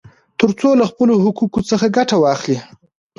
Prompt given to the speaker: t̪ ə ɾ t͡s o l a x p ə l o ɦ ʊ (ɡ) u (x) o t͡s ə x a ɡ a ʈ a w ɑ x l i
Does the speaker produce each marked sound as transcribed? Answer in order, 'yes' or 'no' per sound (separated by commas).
no, no